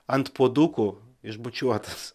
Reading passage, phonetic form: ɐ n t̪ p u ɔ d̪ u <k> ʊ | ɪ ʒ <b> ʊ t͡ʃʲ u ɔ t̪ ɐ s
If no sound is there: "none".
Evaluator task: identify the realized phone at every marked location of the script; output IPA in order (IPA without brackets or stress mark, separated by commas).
k, b